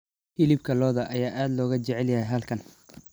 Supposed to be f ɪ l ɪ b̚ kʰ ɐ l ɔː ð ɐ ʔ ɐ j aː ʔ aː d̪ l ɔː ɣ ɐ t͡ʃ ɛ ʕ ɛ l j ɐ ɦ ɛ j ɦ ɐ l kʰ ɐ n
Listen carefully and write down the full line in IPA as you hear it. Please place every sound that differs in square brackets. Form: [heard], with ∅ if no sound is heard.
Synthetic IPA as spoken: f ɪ l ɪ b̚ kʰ ɐ l ɔː ð ɐ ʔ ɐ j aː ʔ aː d̪ l ɔː ɣ ɐ t͡ʃ ɛ ʕ ɛ l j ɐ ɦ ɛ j ɦ ɐ l kʰ ɐ n